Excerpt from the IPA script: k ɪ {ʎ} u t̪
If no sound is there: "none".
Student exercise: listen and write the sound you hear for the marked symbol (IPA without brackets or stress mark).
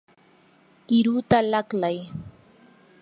ɾ